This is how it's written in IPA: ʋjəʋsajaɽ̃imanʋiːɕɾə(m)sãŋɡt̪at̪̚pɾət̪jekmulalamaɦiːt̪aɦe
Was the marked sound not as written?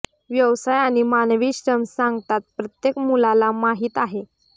no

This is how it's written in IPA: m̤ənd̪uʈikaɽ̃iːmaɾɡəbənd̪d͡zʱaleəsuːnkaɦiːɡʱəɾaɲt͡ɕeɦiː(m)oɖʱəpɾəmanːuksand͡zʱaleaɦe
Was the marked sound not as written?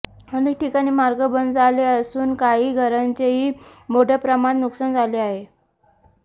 no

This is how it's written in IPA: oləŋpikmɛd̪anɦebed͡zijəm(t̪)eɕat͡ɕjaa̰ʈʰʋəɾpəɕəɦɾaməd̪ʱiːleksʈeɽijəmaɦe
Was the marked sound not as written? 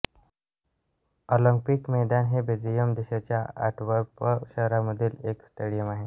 yes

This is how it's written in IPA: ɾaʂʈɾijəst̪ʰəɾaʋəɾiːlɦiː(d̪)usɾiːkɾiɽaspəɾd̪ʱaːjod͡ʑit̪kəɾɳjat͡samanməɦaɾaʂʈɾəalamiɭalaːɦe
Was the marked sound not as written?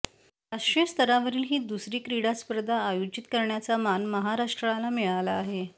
no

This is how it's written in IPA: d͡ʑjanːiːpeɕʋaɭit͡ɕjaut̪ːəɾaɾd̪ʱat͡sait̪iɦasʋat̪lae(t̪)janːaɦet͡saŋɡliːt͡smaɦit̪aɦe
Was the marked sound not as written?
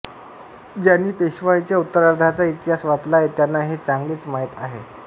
no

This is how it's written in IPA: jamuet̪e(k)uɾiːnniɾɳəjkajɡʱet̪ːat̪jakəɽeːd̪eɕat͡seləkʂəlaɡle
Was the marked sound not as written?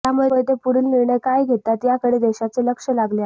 yes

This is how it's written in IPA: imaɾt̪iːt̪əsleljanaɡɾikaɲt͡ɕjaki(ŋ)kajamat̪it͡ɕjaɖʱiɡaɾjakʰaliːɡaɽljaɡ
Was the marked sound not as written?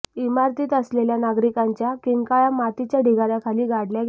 no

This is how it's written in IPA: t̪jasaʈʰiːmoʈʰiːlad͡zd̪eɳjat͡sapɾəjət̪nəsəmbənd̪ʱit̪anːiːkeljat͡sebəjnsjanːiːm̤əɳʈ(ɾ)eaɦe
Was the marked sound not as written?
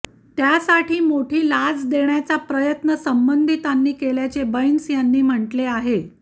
yes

